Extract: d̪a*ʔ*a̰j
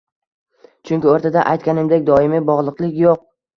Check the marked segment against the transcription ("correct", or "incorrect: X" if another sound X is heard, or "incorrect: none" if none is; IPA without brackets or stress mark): correct